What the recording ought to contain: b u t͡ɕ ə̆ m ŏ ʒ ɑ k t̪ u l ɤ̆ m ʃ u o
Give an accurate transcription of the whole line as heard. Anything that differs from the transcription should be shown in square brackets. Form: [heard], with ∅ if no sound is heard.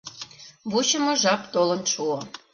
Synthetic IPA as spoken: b u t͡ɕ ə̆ m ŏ ʒ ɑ [p] t̪ [o] l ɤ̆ [n] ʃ u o